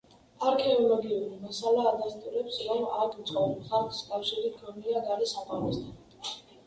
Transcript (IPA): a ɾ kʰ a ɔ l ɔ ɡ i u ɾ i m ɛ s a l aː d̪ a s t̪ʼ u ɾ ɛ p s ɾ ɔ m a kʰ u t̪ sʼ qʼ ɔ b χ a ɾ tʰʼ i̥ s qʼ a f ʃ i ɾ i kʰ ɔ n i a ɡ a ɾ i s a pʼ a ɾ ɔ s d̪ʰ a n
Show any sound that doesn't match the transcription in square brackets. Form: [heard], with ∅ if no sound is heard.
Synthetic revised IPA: a ɾ kʰ [ɛ] ɔ l ɔ ɡ i u ɾ i m [a] s a l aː d̪ a s t̪ʼ u ɾ ɛ p s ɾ ɔ m a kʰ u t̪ sʼ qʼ ɔ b χ a ɾ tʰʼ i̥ s [kʼ] a f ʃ i ɾ i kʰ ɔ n i a ɡ a ɾ i s a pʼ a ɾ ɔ s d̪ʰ a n